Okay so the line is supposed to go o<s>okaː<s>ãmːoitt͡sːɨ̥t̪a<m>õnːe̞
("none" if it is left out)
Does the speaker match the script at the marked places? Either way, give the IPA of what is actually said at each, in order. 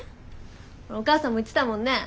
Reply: none, s, m

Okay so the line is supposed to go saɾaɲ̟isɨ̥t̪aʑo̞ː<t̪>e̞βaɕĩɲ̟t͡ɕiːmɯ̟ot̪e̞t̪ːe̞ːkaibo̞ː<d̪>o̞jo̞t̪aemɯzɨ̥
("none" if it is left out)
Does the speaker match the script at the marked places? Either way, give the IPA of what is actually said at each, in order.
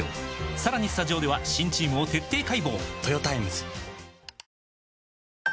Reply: d̪, t̪

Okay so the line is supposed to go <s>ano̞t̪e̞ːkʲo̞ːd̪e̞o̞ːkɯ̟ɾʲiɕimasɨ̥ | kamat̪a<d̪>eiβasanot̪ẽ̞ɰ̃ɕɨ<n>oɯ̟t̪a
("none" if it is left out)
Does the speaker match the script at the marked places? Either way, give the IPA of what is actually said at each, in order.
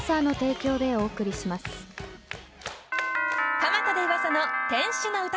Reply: s, d̪, n

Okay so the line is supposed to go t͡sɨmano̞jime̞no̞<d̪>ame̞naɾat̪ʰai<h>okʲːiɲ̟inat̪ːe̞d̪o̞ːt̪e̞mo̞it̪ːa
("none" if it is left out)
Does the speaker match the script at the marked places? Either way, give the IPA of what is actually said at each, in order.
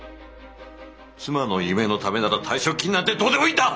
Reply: t̪, ɕ

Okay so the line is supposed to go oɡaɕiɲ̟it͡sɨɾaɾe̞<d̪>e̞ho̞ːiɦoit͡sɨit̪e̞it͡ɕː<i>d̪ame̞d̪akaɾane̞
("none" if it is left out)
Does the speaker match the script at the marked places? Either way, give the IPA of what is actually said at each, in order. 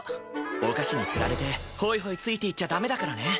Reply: t̪, a

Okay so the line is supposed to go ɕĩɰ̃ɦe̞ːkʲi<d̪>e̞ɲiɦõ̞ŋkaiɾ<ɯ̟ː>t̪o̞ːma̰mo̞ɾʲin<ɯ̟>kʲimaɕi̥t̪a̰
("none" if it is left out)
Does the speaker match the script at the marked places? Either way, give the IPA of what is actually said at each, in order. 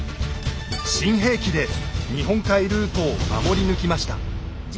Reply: d̪, ɯ̟ː, ɯ̟

